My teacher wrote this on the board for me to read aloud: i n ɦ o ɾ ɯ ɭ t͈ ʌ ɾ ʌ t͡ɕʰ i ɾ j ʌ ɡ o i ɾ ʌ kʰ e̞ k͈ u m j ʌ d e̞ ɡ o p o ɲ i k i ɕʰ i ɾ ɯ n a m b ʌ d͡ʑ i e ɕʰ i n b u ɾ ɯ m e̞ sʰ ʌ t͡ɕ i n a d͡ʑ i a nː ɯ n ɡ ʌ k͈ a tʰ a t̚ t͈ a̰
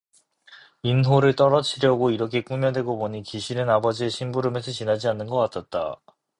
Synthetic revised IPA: i n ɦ o ɾ ɯ ɭ t͈ ʌ ɾ ʌ t͡ɕʰ i ɾ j ʌ ɡ o i ɾ ʌ kʰ e̞ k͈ u m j ʌ d e̞ ɡ o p o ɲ i k i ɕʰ i ɾ ɯ n a b ʌ d͡ʑ i e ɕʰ i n b u ɾ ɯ m e̞ sʰ ʌ t͡ɕ i n a d͡ʑ i a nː ɯ n ɡ ʌ k͈ a tʰ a t̚ t͈ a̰